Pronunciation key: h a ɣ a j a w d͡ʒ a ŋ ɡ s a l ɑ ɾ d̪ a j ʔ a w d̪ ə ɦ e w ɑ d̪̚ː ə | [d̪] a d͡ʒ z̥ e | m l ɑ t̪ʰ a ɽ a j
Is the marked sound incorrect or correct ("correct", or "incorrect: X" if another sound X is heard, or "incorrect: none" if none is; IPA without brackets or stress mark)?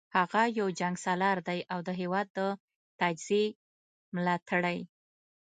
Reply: incorrect: t̪